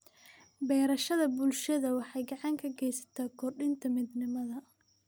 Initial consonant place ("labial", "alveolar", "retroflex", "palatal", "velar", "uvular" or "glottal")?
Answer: labial